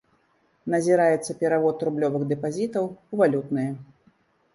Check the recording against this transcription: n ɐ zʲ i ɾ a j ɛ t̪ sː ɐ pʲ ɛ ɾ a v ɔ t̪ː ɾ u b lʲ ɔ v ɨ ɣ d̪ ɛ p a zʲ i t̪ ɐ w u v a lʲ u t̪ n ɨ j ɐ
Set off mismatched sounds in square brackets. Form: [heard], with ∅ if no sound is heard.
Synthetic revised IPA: n ɐ zʲ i ɾ a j ɛ t̪ sː ɐ pʲ ɛ ɾ a v ɔ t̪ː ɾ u b lʲ ɔ v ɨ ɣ d̪ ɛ p a zʲ i t̪ ɐ w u v a lʲ u t̪ n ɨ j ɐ